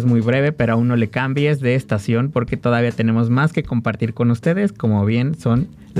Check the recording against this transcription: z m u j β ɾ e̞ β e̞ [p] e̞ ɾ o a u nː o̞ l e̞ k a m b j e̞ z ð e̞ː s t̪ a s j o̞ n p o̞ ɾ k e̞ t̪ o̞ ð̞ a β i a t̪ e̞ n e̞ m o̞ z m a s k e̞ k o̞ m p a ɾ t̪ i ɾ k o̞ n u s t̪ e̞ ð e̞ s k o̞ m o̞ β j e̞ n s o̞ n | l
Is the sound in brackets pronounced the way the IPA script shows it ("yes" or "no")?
yes